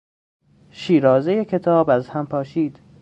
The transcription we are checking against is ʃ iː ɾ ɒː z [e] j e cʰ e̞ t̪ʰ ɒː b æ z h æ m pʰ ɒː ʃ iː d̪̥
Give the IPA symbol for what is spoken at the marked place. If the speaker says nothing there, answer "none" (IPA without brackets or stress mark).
e